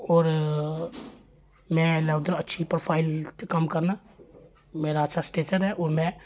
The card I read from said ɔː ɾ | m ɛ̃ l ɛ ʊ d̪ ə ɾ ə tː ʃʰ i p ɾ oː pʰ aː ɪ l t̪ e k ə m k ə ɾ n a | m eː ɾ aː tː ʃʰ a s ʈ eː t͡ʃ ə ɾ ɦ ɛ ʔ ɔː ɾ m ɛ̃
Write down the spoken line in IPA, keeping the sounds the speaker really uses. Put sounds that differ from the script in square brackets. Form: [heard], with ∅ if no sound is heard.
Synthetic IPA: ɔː ɾ | m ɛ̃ l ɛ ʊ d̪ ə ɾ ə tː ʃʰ i p ɾ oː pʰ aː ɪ l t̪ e k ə m k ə ɾ n a | m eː ɾ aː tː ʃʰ a s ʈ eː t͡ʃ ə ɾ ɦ ɛ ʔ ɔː ɾ m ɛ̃